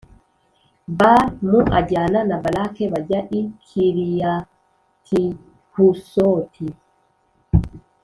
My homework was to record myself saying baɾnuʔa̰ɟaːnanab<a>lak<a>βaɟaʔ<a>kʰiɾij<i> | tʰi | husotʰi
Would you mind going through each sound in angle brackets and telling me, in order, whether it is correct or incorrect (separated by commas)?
correct, incorrect, incorrect, incorrect